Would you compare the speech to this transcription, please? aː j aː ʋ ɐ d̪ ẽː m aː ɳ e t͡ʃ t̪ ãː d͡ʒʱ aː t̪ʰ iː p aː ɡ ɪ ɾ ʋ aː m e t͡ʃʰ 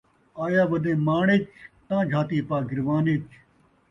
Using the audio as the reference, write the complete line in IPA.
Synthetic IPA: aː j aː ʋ ɐ d̪ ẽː m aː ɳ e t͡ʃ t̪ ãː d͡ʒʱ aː t̪ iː p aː ɡ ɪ ɾ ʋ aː n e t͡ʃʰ